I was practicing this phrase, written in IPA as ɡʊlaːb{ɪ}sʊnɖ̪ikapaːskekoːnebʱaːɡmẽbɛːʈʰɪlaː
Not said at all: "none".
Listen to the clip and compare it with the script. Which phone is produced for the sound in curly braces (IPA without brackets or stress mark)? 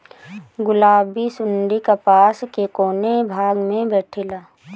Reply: i